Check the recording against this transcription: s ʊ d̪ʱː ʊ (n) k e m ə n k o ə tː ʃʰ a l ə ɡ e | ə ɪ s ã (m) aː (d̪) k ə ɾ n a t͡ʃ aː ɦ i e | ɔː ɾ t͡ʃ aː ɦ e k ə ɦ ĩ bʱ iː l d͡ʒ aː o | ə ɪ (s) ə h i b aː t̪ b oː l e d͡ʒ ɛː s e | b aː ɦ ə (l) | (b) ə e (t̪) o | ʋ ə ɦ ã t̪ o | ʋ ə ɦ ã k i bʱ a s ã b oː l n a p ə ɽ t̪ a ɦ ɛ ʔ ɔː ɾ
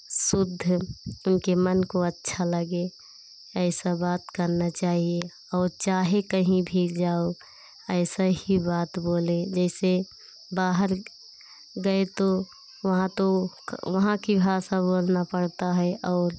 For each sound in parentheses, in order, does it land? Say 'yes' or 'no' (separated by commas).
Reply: yes, no, no, yes, no, no, yes